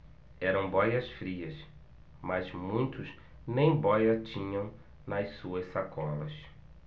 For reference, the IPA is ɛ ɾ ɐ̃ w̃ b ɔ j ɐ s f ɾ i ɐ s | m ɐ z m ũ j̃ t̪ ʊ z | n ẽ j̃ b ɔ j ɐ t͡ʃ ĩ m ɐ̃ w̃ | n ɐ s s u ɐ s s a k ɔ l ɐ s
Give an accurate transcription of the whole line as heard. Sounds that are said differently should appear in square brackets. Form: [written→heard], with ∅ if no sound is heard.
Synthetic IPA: ɛ ɾ ɐ̃ w̃ b ɔ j ɐ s f ɾ i ɐ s | m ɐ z m ũ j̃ t̪ ʊ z | n ẽ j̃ b ɔ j ɐ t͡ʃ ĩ [m→ɲ] ɐ̃ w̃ | n ɐ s s u ɐ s s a k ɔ l ɐ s